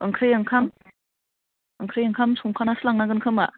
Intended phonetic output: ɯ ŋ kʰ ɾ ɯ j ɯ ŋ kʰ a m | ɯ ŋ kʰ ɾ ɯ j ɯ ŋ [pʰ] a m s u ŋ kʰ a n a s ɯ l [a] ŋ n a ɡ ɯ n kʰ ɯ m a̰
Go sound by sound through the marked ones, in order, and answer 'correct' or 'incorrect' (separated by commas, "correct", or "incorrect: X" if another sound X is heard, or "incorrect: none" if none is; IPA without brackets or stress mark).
incorrect: kʰ, correct